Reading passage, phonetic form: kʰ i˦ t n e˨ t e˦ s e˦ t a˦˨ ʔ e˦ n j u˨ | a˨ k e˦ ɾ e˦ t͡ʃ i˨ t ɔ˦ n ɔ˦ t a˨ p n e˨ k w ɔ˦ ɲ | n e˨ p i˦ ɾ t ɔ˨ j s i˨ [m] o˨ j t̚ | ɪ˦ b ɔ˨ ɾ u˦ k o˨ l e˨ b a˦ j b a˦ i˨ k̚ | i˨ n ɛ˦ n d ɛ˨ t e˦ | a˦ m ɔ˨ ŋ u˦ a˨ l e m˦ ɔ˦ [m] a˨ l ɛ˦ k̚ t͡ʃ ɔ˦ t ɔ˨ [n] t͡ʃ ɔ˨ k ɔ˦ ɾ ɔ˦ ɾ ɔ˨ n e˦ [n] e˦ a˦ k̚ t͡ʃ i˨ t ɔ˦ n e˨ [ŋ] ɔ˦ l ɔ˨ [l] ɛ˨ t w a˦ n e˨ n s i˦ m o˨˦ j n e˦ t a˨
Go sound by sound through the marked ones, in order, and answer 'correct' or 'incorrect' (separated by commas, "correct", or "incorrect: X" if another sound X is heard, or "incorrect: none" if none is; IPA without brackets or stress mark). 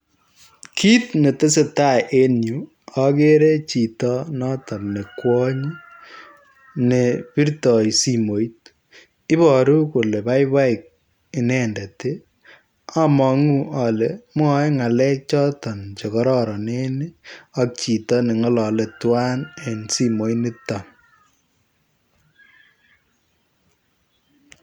correct, incorrect: ŋ, correct, correct, correct, correct